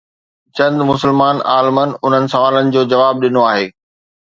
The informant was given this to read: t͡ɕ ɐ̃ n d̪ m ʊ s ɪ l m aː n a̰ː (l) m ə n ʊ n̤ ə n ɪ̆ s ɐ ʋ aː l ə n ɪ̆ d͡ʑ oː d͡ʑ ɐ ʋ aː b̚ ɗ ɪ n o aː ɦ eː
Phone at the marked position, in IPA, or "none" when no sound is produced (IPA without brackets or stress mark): l